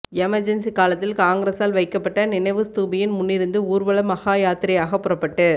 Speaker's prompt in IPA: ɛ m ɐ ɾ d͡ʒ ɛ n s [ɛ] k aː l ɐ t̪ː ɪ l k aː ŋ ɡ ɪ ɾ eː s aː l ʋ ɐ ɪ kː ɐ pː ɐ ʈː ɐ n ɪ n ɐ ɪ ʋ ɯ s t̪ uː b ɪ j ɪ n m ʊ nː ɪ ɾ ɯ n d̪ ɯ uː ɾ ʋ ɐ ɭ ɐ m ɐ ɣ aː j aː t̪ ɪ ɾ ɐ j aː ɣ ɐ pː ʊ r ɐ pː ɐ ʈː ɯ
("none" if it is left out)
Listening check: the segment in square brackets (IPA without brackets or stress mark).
i